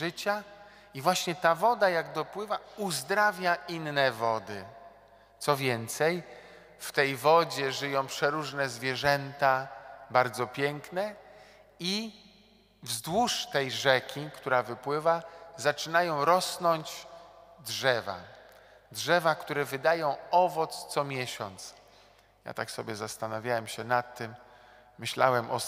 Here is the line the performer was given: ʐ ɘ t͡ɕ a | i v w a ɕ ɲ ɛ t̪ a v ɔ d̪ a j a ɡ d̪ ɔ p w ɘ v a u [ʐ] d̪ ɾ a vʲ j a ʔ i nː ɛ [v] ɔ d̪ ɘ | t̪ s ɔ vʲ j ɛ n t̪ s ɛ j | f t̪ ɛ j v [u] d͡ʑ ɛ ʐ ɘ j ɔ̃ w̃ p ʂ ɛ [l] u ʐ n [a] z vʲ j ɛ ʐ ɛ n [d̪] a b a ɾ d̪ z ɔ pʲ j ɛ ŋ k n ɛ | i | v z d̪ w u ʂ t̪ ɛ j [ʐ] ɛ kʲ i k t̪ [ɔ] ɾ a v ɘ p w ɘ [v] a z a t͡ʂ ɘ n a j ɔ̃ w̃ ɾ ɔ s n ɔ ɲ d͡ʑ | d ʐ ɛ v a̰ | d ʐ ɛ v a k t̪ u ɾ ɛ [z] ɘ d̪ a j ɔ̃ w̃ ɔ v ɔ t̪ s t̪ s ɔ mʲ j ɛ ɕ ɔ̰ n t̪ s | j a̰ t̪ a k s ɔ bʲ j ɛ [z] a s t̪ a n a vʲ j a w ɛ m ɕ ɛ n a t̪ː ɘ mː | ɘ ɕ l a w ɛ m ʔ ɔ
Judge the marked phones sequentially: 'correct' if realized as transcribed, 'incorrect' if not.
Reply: incorrect: z, correct, incorrect: ɔ, incorrect: ɾ, incorrect: ɛ, incorrect: t̪, correct, incorrect: u, correct, incorrect: v, correct

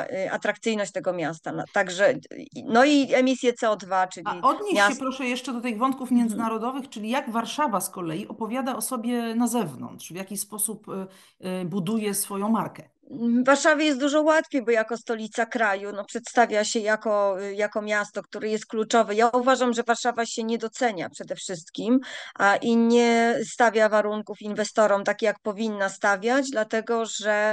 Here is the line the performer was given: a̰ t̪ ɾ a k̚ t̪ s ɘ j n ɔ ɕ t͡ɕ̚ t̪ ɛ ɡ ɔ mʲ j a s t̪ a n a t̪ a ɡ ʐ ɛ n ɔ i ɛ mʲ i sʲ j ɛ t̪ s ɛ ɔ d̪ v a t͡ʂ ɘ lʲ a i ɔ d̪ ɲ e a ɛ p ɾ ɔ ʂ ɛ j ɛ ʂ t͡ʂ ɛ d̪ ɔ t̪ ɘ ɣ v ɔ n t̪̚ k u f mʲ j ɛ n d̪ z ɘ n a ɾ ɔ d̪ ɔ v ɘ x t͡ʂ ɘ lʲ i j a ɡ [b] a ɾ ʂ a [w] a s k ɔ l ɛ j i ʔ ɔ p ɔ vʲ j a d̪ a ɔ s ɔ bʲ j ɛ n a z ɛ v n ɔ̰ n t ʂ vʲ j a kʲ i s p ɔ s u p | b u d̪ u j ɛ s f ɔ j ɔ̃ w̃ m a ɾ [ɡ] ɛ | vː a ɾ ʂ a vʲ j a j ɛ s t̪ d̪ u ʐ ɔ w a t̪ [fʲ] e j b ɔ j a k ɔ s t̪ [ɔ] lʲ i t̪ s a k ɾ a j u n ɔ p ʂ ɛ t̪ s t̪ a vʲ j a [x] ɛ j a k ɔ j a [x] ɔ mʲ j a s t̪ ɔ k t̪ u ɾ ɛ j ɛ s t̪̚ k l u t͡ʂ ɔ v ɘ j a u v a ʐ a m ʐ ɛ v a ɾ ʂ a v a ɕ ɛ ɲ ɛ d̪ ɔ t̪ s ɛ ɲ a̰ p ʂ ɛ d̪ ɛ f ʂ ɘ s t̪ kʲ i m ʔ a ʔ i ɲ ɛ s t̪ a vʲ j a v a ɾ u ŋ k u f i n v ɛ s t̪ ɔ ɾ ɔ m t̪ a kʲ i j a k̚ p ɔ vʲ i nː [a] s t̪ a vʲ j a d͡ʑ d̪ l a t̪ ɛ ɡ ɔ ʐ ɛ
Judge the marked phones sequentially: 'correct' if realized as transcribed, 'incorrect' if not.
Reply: incorrect: v, incorrect: v, incorrect: k, correct, correct, incorrect: ɕ, incorrect: k, correct

